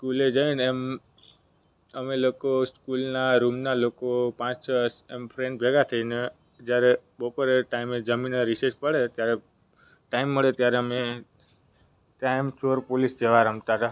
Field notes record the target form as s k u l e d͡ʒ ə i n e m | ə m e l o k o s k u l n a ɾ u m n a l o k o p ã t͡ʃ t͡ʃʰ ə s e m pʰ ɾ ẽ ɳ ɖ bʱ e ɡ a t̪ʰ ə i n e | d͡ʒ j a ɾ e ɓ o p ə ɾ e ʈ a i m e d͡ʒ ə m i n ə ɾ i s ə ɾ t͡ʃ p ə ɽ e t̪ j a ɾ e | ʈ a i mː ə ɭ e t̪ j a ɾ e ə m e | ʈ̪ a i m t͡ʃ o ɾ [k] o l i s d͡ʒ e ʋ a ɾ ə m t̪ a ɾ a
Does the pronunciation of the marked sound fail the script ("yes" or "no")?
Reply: yes